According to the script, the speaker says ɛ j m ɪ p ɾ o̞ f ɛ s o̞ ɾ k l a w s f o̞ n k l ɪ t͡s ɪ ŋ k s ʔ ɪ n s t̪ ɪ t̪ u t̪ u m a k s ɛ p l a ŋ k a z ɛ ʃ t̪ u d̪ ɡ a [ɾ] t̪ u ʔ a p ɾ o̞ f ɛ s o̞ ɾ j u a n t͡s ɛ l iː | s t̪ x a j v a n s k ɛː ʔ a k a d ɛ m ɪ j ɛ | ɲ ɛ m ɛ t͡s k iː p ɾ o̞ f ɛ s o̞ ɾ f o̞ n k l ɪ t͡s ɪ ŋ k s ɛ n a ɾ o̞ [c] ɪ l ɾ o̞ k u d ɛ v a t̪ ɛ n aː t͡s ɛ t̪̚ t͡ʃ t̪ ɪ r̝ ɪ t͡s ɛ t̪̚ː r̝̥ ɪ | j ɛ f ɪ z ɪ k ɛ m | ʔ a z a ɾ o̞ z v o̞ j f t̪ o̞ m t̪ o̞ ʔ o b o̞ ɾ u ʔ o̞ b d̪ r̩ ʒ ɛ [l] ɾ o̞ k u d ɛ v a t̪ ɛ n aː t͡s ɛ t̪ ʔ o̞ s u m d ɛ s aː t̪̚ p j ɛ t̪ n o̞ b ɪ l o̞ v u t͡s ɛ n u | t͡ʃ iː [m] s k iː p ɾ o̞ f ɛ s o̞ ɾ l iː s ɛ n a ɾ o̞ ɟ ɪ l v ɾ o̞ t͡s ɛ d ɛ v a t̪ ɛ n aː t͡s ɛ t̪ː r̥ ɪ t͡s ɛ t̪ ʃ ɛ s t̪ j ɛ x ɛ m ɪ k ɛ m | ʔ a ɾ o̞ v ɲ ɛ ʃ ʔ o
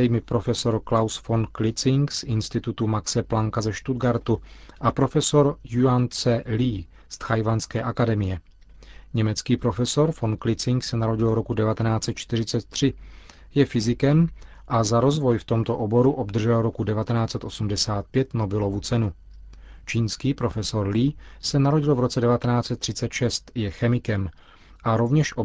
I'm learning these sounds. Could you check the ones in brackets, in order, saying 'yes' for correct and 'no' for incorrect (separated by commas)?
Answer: yes, no, yes, no